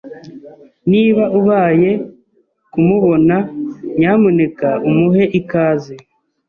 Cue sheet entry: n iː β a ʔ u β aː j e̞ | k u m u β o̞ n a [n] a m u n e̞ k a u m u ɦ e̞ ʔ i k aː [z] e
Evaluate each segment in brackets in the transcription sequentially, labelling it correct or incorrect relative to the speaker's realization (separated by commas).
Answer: incorrect, correct